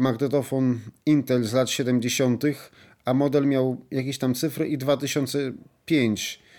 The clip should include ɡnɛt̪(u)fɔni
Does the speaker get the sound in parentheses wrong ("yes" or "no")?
yes